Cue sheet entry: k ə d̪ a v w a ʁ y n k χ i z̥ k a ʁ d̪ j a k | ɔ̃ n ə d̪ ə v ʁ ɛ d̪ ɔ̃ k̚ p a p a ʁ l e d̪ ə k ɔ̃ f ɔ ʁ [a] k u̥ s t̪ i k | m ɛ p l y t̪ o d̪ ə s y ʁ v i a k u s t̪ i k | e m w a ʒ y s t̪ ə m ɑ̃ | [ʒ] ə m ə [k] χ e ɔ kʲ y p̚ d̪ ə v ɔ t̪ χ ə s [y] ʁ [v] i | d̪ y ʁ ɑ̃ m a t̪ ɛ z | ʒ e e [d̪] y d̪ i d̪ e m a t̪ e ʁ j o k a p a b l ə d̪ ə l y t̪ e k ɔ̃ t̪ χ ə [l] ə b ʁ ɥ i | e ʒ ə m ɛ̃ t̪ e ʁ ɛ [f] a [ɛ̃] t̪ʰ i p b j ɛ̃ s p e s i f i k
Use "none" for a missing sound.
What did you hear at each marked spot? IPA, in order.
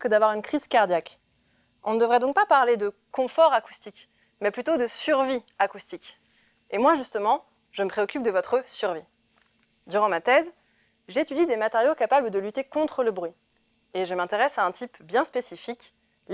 a, ʒ, p, y, v, t̪, l, s, ɛ̃

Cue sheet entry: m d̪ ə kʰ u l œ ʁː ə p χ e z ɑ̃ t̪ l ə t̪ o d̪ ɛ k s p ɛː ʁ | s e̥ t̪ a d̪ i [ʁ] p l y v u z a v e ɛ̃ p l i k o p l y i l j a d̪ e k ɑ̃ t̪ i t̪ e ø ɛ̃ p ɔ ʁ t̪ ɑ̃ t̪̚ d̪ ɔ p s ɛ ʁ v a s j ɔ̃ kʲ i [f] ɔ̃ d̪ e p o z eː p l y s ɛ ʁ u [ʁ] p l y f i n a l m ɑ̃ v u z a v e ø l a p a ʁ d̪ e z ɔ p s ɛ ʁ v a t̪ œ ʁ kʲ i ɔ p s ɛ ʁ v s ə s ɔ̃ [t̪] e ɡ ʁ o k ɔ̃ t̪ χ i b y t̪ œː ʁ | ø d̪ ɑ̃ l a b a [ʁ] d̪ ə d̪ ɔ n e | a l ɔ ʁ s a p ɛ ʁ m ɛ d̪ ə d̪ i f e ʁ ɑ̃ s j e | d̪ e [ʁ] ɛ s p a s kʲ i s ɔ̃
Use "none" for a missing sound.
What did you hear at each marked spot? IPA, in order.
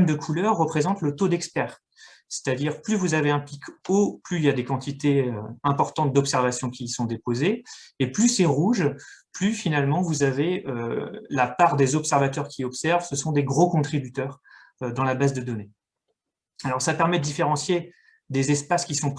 ʁ, s, ʒ, d̪, z, z

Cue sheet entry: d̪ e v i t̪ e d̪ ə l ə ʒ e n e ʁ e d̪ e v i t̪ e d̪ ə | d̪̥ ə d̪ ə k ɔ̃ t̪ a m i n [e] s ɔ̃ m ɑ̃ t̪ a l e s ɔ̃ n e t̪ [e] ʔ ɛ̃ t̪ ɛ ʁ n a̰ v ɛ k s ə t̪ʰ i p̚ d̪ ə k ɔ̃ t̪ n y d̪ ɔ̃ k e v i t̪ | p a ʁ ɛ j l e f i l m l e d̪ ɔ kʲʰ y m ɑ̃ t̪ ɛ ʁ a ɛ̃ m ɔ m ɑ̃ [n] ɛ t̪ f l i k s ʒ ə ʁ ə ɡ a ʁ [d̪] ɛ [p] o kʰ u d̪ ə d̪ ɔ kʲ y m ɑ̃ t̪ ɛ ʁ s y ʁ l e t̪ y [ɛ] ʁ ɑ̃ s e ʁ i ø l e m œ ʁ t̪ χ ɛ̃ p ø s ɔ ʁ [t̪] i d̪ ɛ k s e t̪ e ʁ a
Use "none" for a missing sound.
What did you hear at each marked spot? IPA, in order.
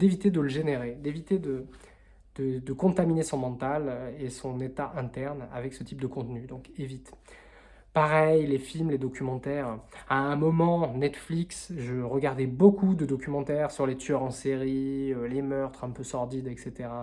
e, a, n, d̪, b, œ, d̪

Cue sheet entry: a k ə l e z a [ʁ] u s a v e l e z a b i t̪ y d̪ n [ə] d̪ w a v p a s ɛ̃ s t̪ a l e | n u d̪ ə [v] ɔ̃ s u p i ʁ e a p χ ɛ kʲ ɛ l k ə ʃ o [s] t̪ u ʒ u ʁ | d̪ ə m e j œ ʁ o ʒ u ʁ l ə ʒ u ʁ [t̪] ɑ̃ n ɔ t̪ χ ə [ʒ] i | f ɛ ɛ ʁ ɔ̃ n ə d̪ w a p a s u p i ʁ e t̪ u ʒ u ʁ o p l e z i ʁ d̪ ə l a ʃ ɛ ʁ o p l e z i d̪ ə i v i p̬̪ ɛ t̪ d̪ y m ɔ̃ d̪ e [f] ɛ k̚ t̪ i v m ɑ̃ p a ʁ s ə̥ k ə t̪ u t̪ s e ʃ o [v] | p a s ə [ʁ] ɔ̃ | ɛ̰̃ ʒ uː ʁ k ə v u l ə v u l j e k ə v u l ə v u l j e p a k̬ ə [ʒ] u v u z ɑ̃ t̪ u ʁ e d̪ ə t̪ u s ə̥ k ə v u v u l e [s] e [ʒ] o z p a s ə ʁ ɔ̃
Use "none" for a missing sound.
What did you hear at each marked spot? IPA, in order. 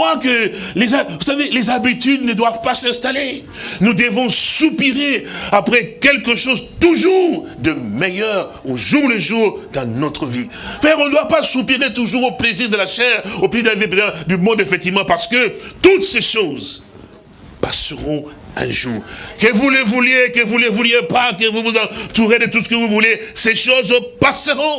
v, ə, v, z, d̪, v, f, z, ʁ, v, s, ʃ

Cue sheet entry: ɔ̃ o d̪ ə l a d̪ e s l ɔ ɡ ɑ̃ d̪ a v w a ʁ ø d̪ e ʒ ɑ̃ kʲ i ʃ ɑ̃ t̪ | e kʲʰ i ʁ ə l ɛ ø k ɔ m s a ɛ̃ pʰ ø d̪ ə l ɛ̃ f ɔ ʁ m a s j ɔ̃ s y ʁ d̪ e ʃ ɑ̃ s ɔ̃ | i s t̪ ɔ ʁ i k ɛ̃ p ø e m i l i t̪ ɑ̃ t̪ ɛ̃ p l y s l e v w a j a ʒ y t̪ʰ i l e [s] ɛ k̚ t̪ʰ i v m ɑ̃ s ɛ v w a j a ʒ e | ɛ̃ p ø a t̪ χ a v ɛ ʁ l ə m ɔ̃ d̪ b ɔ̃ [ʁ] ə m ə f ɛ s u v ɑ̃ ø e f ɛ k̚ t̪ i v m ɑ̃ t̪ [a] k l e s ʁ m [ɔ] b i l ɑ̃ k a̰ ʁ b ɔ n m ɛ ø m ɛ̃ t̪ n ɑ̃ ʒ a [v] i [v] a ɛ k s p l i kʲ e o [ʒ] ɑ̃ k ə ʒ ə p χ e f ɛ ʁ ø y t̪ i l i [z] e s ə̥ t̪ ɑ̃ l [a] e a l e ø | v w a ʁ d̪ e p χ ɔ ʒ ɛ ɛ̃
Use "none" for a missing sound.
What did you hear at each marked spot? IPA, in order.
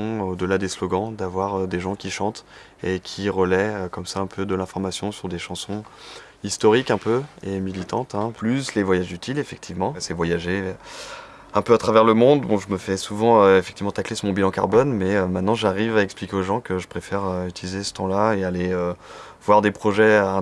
f, ʒ, a, ɔ̃, ʁ, v, ʒ, z, a

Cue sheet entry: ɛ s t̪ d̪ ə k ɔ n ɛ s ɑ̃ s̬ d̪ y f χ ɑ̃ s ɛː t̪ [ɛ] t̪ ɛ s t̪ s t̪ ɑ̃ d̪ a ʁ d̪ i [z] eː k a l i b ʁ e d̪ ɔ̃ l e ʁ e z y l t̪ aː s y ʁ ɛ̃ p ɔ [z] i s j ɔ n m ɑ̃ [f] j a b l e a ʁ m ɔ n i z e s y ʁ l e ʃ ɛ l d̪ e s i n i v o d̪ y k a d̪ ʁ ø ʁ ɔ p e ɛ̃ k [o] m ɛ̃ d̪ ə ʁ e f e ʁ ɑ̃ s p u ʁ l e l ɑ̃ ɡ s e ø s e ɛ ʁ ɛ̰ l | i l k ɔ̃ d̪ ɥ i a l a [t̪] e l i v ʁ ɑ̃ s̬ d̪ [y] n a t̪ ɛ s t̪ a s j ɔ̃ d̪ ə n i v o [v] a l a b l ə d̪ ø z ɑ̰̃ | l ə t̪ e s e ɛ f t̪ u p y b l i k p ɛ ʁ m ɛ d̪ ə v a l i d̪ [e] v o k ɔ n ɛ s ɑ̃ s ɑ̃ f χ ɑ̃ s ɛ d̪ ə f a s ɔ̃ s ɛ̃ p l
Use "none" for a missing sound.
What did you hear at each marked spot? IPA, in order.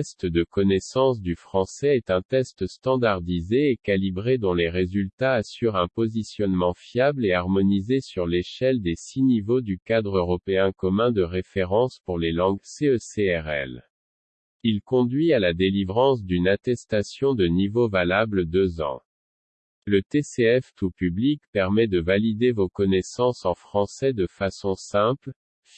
ɛ̃, z, z, f, ɔ, d̪, y, v, e

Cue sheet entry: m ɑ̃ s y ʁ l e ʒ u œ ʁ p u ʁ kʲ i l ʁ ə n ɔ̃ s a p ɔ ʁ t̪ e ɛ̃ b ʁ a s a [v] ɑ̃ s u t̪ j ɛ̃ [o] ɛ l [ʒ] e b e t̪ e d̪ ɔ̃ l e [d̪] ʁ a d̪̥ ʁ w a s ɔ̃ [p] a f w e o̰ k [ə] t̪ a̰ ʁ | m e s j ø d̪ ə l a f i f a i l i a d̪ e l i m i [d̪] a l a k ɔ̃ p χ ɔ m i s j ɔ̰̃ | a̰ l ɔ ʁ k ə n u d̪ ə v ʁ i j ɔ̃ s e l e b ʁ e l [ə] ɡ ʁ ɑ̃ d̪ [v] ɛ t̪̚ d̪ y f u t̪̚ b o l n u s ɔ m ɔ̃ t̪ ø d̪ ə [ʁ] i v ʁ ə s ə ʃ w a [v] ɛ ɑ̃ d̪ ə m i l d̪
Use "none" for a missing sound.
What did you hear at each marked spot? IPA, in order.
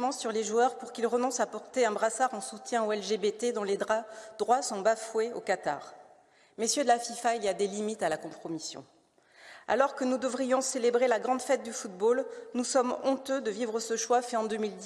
ʁ, o, ʒ, d̪, b, a, t̪, a, f, v, f

